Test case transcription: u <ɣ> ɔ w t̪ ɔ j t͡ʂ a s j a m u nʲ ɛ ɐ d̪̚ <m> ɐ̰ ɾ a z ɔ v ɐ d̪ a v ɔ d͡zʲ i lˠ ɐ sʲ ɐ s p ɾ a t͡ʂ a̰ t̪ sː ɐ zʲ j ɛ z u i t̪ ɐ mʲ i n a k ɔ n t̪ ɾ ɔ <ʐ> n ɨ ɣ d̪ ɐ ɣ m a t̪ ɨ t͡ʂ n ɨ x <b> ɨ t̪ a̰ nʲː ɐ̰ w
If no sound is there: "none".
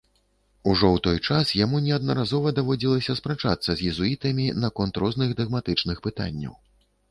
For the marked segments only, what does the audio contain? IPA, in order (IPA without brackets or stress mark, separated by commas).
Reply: ʐ, n, z, p